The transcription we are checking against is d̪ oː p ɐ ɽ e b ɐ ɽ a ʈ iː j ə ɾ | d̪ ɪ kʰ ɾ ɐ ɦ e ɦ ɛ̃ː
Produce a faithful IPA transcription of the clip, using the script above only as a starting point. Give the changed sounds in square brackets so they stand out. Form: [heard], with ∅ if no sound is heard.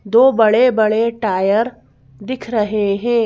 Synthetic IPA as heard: d̪ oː [b] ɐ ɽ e b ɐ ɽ [e] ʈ [aː] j ə ɾ | d̪ ɪ kʰ ɾ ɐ ɦ e ɦ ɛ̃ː